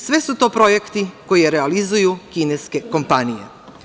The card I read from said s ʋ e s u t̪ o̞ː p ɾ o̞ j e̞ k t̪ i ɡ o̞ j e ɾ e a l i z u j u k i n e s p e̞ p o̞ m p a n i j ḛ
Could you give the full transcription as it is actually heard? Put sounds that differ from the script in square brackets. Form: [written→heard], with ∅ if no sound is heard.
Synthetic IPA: s ʋ e s u t̪ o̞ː p ɾ o̞ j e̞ k t̪ i [ɡ→k] o̞ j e ɾ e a l i z u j u k i n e s [p→k] e̞ [p→k] o̞ m p a n i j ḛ